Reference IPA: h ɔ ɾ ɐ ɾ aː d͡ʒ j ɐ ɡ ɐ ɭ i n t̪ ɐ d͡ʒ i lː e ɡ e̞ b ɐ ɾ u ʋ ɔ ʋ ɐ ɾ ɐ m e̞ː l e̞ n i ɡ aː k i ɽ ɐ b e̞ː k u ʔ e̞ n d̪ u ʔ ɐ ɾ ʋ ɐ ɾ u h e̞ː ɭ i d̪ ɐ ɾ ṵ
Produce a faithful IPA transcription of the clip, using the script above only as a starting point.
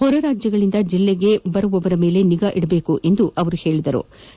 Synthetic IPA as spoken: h ɔ ɾ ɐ ɾ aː d͡ʒ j ɐ ɡ ɐ ɭ i n d̪ ɐ d͡ʒ i lː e ɡ e̞ b ɐ ɾ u ʋ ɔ ʋ ɐ ɾ ɐ m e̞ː l e̞ n i ɡ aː ʔ i ɽ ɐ b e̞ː k u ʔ e̞ n d̪ u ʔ ɐ ʋ ɐ ɾ u h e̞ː ɭ i d̪ ɐ ɾ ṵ

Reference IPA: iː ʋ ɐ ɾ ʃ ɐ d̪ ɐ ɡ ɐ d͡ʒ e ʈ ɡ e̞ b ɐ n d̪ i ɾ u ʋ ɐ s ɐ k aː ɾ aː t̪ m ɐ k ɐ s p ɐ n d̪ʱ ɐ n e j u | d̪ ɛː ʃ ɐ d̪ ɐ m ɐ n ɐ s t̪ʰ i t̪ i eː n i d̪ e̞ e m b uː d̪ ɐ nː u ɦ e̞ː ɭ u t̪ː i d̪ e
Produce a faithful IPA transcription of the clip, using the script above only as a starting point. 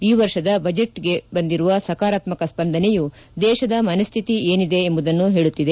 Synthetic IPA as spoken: iː ʋ ɐ ɾ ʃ ɐ d̪ ɐ b ɐ d͡ʒ e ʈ ɡ e̞ b ɐ n d̪ i ɾ u ʋ ɐ s ɐ k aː ɾ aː t̪ m ɐ k ɐ s p ɐ n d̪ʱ ɐ n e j u | d̪ ɛː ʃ ɐ d̪ ɐ m ɐ n ɐ s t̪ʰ i t̪ i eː n i d̪ e̞ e m b u d̪ ɐ nː u ɦ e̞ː ɭ u t̪ː i d̪ e

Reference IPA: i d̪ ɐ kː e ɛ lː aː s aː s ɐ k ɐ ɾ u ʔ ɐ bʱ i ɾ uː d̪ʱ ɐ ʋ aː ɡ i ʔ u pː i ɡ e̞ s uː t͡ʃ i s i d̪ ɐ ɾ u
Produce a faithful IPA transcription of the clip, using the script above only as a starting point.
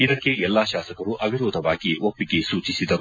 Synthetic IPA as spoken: i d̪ ɐ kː e ɛ lː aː ʃ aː s ɐ k ɐ ɾ u ʔ ɐ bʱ i ɾ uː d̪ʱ ɐ ʋ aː ɡ i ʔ o pː i ɡ e̞ s uː t͡ʃ i s i d̪ ɐ ɾ u

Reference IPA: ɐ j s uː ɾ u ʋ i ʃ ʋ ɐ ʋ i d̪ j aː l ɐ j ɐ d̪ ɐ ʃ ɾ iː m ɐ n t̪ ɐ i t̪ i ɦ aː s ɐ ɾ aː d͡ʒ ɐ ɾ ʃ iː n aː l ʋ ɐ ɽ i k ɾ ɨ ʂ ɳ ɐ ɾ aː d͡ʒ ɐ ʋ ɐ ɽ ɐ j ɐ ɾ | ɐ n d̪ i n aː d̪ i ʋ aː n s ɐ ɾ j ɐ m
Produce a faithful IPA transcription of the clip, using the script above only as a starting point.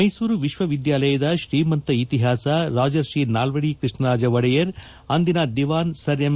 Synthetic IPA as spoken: ɐ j s uː ɾ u ʋ i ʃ ʋ ɐ ʋ i d̪ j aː l ɐ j ɐ d̪ ɐ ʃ ɾ iː m ɐ n t̪ ɐ i t̪ i ɦ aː s ɐ ɾ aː d͡ʒ ɐ ɾ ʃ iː n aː l ʋ ɐ ɽ i k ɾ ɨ ʂ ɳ ɐ ɾ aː d͡ʒ ɐ ʋ ɐ ɽ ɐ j ɐ ɾ | ɐ n d̪ i n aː d̪ i ʋ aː n s ɐ ɾ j ɐ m

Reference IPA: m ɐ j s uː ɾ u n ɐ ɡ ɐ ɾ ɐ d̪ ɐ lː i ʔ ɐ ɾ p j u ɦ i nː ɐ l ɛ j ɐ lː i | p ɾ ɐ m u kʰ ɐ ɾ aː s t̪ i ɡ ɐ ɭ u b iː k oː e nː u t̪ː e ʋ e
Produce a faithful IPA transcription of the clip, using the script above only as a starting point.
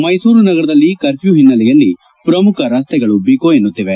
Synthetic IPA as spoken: m ɐ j s uː ɾ u n ɐ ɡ ɐ ɾ ɐ d̪ ɐ lː i k ɐ ɾ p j u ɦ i nː ɐ l ɛ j ɐ lː i | p ɾ ɐ m u kʰ ɐ ɾ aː s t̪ ɛ ɡ ɐ ɭ u b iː k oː e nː u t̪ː i ʋ e

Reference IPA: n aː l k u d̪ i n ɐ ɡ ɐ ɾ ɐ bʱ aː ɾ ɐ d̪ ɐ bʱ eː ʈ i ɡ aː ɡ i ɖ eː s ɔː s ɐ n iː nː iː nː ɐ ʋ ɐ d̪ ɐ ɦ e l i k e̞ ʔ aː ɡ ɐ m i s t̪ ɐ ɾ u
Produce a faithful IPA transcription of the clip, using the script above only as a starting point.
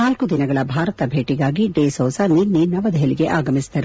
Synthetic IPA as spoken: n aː l k u d̪ i n ɐ ɡ ɐ ɭ ɐ bʱ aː ɾ ɐ t̪ ɐ bʱ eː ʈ i ɡ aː ɡ i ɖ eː s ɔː s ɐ n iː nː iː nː ɐ ʋ ɐ d̪ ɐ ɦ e l i ɡ e̞ ʔ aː ɡ ɐ m i s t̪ ɐ ɾ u

